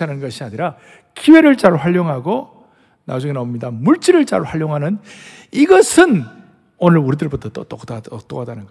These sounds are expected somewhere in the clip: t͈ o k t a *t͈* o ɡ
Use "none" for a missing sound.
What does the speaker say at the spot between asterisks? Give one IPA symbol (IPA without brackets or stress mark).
t͈